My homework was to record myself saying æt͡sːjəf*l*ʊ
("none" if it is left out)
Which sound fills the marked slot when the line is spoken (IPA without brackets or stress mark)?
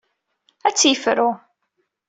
ɾ